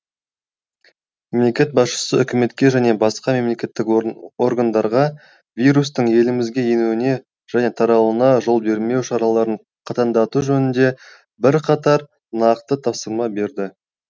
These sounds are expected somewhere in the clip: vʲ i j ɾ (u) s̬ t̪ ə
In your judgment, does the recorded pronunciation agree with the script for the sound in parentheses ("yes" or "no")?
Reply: yes